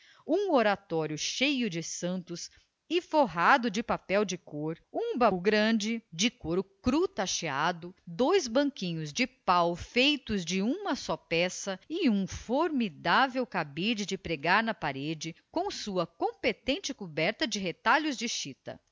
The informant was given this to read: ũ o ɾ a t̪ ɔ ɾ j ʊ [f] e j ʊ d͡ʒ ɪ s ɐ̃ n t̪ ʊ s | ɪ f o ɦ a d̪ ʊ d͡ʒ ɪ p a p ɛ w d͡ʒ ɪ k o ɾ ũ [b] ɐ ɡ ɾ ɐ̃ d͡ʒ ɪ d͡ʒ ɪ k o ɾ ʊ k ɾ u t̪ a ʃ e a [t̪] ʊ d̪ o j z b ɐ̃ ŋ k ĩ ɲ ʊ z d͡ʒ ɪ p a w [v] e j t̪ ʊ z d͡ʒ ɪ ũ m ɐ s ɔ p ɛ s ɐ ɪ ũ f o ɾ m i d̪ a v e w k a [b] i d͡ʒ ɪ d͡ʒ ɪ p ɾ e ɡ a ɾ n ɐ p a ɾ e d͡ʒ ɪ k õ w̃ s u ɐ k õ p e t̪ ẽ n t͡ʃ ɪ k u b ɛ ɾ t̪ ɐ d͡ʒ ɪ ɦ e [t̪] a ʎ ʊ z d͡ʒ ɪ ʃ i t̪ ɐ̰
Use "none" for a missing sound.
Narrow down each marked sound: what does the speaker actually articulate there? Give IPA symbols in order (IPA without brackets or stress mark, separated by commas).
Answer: ʃ, b, d̪, f, b, t̪